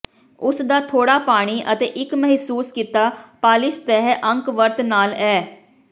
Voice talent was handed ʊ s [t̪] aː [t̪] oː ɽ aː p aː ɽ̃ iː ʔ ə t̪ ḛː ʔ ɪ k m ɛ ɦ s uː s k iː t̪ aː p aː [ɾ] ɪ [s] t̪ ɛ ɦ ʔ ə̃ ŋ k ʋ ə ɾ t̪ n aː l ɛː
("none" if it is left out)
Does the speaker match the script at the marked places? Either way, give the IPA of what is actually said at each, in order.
d̪, t̪ʰ, l, ʃ

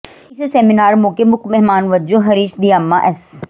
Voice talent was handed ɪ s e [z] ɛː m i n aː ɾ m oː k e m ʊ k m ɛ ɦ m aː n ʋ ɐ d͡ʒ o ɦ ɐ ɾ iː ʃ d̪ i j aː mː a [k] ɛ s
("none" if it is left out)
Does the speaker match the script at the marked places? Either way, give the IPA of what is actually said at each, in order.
s, ʔ

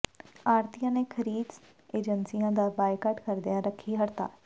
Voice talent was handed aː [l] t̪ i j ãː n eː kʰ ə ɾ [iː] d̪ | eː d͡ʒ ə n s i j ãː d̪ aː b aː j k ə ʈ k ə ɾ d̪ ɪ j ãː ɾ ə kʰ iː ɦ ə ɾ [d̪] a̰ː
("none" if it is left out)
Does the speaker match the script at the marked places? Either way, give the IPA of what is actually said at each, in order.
ɾ, iː, t̪

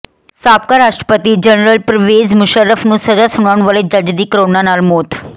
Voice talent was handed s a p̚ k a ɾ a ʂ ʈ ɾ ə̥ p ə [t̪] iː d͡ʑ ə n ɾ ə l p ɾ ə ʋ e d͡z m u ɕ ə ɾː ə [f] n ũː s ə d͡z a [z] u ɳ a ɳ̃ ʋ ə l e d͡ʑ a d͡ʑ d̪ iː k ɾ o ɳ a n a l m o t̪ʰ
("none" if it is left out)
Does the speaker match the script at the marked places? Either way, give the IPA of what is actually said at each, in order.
t̪, f, s

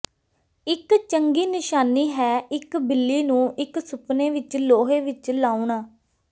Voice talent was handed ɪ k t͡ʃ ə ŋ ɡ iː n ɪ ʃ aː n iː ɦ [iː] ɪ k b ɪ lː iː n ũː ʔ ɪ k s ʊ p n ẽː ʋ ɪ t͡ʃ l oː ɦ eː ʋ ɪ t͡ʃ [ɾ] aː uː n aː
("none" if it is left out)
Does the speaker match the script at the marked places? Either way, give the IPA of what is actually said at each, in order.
ɛː, l

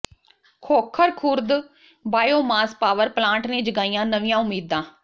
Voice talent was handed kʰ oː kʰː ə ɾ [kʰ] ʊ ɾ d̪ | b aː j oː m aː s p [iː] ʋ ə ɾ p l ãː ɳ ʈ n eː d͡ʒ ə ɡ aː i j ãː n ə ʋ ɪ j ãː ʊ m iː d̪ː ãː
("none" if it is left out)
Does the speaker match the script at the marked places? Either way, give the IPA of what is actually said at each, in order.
kʰ, aː

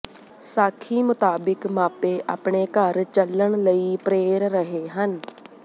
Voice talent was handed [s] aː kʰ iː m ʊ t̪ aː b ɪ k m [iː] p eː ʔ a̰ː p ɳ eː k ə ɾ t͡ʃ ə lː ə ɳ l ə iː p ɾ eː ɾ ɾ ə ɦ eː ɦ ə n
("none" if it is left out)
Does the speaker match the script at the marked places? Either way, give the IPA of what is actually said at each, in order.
s, aː

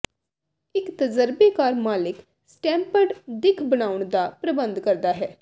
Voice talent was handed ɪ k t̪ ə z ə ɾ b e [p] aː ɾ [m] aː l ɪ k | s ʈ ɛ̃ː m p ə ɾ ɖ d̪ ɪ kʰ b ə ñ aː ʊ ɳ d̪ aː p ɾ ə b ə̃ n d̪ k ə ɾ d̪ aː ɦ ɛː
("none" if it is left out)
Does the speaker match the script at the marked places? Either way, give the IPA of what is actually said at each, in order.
k, m

